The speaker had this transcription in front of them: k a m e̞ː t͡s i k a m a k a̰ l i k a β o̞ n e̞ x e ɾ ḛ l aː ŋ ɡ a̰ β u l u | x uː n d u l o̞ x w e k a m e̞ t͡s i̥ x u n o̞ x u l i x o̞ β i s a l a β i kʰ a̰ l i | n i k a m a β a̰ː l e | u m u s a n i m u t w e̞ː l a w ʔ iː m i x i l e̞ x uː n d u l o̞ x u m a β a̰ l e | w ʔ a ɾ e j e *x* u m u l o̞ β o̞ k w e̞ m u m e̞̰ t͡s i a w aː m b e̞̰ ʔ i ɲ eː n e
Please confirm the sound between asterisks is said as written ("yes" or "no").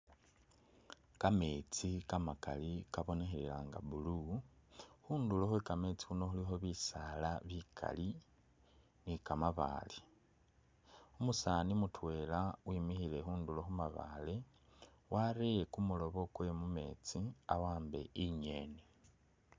no